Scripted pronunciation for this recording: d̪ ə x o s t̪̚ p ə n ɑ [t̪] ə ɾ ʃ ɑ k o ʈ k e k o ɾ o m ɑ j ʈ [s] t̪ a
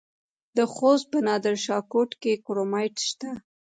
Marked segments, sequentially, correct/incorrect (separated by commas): incorrect, incorrect